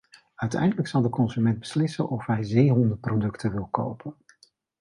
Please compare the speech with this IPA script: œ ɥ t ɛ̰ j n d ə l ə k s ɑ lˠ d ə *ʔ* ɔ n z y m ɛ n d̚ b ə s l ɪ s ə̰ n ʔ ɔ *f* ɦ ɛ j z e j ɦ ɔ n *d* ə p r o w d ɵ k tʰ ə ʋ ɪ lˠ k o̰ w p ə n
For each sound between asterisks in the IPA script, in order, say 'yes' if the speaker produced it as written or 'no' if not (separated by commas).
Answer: no, yes, yes